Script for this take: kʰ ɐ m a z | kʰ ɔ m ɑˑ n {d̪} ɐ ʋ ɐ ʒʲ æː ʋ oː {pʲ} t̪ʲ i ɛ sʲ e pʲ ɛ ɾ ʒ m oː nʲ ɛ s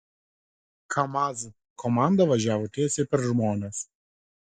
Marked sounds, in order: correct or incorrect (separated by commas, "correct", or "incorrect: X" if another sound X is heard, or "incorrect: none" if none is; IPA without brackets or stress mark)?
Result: correct, incorrect: none